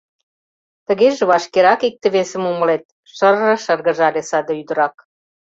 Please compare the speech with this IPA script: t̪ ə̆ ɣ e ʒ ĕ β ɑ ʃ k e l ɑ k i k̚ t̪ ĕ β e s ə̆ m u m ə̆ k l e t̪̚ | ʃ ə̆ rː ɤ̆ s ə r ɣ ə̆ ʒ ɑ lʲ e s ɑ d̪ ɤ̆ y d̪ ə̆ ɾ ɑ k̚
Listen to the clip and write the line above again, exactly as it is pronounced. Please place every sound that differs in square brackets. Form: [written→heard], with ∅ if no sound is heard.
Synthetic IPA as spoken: t̪ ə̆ ɣ e ʒ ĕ β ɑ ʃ k e [l→ɾ] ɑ k i k̚ t̪ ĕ β e s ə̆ m u m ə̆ [k→∅] l e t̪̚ | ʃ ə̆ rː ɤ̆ [s→ʃ] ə r ɣ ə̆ ʒ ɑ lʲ e s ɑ d̪ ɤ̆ y d̪ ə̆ ɾ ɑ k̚